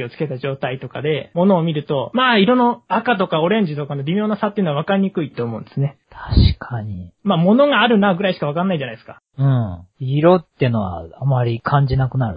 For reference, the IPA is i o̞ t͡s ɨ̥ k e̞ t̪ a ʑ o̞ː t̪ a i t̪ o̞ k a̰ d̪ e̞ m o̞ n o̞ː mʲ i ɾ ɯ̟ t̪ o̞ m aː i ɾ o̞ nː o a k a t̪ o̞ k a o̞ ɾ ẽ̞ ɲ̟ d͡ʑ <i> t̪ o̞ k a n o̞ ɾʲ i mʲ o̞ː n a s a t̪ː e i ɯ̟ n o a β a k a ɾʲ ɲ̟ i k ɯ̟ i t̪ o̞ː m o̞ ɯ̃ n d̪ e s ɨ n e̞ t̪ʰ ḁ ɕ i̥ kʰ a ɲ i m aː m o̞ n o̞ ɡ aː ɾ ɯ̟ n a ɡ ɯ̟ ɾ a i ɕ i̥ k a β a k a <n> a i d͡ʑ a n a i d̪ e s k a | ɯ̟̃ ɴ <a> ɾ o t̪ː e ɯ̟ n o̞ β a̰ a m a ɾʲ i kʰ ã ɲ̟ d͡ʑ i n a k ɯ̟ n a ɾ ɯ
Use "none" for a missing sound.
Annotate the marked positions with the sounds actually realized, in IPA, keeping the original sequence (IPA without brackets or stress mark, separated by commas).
i, nː, i